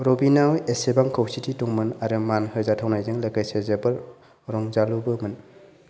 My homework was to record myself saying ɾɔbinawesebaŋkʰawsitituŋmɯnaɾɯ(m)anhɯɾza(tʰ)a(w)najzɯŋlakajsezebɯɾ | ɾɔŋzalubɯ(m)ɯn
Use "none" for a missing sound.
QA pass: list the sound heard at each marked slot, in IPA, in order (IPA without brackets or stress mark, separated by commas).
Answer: m, tʰ, w, m